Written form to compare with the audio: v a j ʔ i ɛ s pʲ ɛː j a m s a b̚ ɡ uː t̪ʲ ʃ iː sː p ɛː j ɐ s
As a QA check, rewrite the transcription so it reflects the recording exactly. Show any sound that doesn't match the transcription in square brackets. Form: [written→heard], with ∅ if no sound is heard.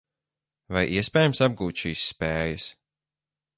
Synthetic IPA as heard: v a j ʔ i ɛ s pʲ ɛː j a m s a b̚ ɡ uː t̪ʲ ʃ iː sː p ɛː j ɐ s